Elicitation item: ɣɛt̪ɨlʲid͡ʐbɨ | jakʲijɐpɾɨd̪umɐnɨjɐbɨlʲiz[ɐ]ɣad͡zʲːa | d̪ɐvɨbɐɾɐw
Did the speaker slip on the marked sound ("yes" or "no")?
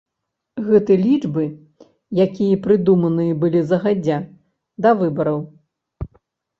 no